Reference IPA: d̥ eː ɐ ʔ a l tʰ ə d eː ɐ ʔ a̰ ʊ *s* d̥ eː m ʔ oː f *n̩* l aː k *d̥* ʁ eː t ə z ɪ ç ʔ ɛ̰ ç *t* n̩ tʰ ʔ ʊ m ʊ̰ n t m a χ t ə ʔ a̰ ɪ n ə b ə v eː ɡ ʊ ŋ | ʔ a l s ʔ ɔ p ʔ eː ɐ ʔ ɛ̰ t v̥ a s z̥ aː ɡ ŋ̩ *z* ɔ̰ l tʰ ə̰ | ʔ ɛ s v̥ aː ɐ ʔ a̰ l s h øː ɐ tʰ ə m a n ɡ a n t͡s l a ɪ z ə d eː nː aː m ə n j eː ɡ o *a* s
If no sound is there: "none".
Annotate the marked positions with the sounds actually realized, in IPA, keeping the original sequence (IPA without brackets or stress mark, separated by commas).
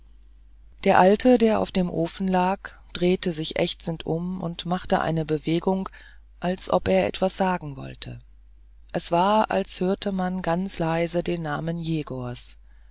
f, n̩, d̥, t͡s, v, ɐ